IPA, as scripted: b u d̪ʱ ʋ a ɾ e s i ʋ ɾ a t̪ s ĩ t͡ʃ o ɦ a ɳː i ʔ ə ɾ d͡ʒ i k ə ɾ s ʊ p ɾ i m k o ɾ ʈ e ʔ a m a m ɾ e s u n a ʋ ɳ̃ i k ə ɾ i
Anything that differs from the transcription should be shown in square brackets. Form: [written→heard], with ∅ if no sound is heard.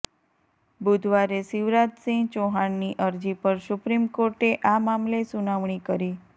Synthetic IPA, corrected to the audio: b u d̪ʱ ʋ a ɾ e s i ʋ ɾ a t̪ s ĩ t͡ʃ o ɦ a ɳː i ʔ ə ɾ d͡ʒ i [k→p] ə ɾ s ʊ p ɾ i m k o ɾ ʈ e ʔ a m a m [ɾ→l] e s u n a ʋ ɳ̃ i k ə ɾ i